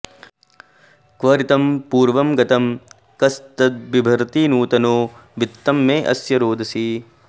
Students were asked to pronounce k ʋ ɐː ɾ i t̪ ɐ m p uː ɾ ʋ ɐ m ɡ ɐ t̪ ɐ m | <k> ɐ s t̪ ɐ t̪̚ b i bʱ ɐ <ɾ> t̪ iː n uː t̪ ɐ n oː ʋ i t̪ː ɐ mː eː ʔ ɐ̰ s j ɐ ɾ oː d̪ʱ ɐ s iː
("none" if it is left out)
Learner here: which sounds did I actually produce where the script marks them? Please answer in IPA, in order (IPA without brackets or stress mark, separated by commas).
k, ɾ